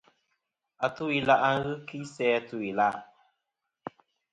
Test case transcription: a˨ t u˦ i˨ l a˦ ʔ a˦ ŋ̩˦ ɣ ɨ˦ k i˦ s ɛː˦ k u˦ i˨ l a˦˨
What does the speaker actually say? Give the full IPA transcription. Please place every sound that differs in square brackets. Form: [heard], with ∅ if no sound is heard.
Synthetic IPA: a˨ t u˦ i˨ l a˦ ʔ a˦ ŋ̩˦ ɣ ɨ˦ k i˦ s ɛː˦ [t] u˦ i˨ l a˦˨